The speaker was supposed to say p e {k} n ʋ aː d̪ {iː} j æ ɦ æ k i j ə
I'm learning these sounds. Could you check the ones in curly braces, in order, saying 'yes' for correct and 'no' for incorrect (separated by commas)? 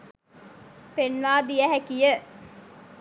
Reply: no, no